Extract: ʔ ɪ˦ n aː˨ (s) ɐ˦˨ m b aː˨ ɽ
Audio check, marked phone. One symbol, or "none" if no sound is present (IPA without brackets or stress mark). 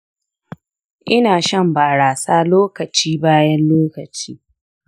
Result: ʃ